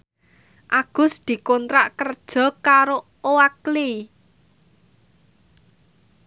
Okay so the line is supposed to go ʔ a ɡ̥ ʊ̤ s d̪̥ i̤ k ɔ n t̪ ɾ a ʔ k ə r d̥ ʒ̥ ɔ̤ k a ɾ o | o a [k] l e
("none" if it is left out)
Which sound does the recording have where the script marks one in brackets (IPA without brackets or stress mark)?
k